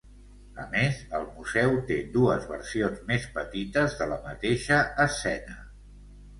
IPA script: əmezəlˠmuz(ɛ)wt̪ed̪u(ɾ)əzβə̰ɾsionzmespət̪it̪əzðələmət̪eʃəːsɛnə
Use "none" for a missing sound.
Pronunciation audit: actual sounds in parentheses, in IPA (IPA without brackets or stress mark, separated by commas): ɛ, none